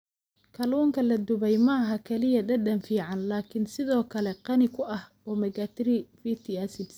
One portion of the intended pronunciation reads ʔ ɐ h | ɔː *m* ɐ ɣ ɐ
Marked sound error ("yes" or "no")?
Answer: no